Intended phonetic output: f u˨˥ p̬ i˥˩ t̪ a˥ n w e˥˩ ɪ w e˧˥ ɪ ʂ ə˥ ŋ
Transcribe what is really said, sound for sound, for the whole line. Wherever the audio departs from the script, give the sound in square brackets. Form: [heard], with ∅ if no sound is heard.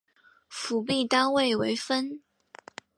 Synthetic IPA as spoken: f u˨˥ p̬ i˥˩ t̪ a˥ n w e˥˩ ɪ w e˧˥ ɪ [f] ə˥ [n]